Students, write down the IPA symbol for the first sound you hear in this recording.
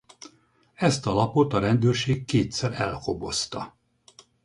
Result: ɛ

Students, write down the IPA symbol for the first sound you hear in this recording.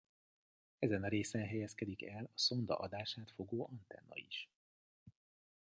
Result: ɛ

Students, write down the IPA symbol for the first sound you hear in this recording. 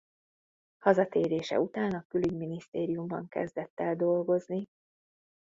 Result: h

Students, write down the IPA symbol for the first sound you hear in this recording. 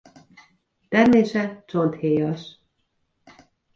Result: t̪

